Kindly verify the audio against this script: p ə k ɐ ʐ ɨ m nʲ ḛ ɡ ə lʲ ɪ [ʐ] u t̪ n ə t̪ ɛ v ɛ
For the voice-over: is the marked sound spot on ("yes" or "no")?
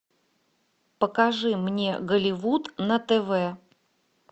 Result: no